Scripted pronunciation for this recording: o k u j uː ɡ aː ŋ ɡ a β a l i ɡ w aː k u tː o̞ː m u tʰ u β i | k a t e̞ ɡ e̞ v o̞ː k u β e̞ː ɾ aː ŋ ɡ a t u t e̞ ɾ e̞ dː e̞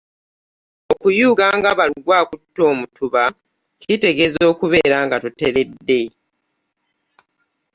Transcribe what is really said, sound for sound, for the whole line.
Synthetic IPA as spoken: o k u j uː ɡ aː ŋ ɡ a β a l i ɡ w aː k u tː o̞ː m u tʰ u β a | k i t e̞ ɡ e̞ z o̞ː k u β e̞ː ɾ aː ŋ ɡ a t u t e̞ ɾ e̞ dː e̞